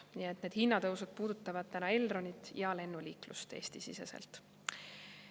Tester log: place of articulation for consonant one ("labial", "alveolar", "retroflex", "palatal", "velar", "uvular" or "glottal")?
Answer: alveolar